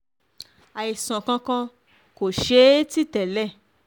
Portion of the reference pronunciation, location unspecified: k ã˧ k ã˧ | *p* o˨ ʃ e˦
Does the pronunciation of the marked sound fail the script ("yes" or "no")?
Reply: yes